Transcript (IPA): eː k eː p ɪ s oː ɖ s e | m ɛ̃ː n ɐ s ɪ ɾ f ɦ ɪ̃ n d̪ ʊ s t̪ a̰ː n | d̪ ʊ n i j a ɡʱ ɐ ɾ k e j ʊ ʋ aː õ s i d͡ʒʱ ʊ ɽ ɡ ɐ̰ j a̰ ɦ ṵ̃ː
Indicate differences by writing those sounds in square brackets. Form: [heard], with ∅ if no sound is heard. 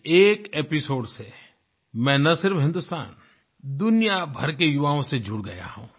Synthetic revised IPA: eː k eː p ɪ s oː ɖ s e | m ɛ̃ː n ɐ s ɪ ɾ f ɦ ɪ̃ n d̪ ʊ s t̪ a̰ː n | d̪ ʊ n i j a [bʱ] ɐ ɾ k e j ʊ ʋ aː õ s [e] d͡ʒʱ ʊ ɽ ɡ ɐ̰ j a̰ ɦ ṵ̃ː